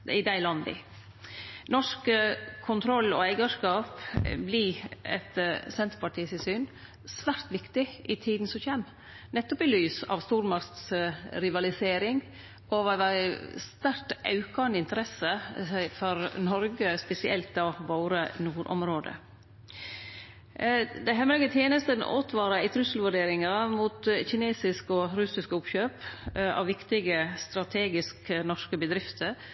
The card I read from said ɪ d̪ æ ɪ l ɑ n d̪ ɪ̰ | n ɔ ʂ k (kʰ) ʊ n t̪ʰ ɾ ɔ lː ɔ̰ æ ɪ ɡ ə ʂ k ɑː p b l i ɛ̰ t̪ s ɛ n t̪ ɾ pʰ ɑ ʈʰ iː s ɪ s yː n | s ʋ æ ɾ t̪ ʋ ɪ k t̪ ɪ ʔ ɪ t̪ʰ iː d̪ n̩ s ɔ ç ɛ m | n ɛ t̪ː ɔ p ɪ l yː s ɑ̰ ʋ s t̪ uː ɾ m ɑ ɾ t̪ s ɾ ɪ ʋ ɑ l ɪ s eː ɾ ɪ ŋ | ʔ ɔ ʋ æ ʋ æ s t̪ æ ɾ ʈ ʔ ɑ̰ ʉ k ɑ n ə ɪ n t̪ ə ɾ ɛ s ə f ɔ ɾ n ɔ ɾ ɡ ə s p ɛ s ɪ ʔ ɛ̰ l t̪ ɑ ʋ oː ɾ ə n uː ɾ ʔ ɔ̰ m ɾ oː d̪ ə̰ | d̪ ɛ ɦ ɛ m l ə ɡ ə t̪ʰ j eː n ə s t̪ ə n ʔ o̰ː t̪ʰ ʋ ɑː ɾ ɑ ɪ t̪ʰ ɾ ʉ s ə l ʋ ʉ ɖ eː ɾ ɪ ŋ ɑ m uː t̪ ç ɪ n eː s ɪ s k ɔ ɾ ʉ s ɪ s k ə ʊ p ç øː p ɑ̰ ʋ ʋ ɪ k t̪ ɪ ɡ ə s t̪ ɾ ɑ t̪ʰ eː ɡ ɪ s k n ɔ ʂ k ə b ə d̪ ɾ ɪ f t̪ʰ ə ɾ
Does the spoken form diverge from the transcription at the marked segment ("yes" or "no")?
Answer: no